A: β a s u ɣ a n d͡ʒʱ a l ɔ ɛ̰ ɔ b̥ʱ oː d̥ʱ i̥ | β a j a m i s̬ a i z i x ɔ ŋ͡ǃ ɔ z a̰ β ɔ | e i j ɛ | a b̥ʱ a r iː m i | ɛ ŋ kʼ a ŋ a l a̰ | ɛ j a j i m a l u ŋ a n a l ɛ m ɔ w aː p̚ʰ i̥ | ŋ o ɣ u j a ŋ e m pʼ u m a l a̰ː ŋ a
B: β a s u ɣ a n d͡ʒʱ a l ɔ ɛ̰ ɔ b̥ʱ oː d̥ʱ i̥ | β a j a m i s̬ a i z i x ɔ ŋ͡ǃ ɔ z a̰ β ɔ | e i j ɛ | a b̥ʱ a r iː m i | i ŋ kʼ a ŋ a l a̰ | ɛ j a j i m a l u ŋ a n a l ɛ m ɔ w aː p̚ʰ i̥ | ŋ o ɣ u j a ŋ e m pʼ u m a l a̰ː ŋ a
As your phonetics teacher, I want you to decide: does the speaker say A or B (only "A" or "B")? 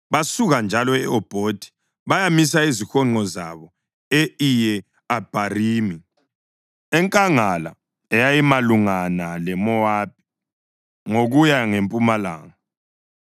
A